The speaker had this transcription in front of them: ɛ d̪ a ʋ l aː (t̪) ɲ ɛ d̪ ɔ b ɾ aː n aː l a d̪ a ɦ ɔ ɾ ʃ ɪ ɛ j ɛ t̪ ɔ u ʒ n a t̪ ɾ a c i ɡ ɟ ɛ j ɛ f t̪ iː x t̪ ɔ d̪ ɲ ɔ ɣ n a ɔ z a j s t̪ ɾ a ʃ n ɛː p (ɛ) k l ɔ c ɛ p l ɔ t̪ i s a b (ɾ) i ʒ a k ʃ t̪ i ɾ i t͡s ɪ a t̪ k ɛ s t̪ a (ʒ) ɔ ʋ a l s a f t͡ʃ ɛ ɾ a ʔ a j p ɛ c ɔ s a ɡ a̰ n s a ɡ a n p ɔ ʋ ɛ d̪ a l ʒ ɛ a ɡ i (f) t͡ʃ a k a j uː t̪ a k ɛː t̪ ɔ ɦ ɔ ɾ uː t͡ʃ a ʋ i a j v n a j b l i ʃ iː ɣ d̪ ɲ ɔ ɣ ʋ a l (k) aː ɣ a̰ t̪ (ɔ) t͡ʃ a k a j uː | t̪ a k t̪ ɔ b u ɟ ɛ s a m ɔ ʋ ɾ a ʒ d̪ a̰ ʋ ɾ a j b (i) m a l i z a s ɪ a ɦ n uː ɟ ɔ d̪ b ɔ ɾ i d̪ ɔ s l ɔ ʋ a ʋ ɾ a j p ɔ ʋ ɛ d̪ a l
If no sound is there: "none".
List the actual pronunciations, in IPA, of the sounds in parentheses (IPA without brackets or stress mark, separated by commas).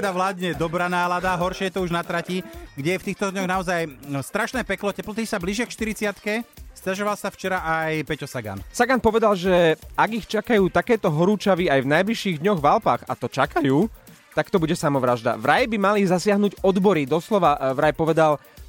d̪, ɛ, l, ʒ, x, p, ɔ, i